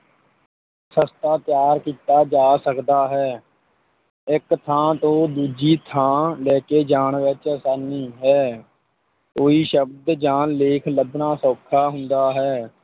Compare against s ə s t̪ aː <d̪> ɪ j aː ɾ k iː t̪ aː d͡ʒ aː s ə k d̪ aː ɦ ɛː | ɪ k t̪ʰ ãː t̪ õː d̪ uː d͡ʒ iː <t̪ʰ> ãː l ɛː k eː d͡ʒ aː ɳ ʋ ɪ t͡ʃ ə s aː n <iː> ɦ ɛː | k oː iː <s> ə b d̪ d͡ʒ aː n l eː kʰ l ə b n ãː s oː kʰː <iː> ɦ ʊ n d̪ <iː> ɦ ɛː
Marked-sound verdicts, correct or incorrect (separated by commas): incorrect, correct, correct, incorrect, incorrect, incorrect